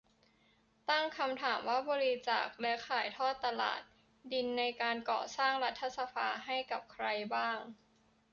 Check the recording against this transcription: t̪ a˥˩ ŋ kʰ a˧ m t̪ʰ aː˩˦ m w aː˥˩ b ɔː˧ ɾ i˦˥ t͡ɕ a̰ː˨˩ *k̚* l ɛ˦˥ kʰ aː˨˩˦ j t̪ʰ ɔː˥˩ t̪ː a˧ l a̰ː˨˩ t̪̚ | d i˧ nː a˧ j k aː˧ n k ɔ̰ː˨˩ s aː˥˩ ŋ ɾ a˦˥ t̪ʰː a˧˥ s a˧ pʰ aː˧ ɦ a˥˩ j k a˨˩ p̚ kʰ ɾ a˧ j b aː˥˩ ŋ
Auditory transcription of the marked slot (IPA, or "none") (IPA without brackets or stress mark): k̚